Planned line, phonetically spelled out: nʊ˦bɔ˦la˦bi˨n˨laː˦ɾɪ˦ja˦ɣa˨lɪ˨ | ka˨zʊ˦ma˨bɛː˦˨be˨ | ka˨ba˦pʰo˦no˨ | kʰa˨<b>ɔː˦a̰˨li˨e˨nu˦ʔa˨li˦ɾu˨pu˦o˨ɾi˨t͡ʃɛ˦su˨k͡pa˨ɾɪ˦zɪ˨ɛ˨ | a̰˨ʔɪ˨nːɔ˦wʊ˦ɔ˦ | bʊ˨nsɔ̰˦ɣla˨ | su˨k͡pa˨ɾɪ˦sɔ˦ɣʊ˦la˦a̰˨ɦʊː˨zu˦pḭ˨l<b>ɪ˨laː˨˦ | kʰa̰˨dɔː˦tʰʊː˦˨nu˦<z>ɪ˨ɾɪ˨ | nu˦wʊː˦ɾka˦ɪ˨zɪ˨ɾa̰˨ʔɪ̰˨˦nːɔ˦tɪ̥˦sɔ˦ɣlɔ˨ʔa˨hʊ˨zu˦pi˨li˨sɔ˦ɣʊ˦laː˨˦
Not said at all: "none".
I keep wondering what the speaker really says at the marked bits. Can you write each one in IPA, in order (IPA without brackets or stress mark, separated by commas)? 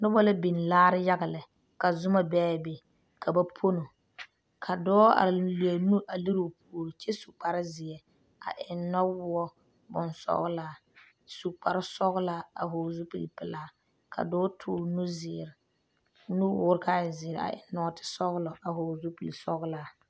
d, p, z